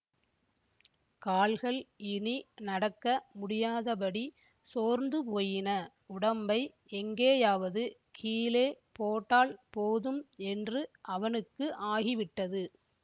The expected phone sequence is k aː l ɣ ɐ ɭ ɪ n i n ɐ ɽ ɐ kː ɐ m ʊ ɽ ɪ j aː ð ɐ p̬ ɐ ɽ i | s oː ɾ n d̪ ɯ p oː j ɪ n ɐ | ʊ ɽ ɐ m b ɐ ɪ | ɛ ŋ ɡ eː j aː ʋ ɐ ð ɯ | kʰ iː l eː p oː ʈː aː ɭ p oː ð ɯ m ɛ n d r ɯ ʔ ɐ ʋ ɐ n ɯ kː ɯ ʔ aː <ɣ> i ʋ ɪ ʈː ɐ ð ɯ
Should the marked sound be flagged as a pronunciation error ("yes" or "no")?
no